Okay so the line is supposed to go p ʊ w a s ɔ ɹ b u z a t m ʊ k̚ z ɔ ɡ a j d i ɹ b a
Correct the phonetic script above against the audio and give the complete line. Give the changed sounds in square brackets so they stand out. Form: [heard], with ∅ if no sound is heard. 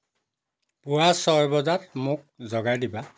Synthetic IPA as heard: p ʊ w a s ɔ ɹ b [ɔ] z a t m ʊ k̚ z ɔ ɡ a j d i [∅] b a